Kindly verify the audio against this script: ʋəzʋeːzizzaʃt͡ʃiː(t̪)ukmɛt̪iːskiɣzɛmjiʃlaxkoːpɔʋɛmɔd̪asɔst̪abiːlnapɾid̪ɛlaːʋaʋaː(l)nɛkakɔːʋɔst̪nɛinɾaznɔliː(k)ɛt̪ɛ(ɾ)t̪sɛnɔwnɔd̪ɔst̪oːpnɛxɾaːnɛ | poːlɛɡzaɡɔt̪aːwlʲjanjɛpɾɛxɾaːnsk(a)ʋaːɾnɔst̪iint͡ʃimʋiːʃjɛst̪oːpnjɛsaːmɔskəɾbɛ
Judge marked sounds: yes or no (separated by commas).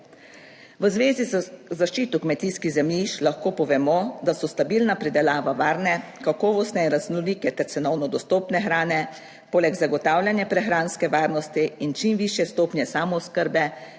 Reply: yes, no, yes, yes, no